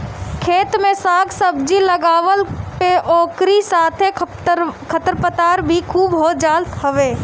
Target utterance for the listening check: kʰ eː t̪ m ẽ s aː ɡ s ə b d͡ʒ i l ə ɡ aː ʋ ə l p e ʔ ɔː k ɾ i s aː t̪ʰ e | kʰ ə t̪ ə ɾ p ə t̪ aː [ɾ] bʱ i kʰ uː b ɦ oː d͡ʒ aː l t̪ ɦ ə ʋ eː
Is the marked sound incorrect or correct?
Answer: correct